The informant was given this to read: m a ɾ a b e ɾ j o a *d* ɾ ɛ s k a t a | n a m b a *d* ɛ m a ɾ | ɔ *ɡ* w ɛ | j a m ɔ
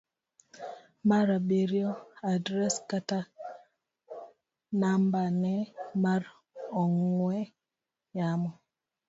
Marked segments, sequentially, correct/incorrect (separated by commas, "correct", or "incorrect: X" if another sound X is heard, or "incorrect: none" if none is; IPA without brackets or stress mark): correct, incorrect: n, incorrect: ŋ